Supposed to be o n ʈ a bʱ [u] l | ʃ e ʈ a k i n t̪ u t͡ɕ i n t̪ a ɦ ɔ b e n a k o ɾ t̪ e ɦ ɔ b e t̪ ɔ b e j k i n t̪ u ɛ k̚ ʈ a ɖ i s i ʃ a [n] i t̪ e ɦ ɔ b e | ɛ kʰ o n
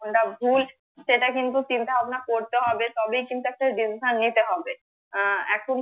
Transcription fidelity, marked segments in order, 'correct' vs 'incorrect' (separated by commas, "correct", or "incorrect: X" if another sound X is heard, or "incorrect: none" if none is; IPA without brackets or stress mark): correct, incorrect: nː